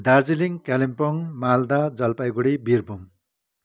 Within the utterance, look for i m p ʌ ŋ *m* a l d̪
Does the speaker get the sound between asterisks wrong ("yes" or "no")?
no